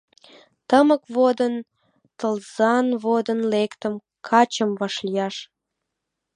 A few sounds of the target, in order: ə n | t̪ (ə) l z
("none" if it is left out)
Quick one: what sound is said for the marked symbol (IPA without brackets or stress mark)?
ə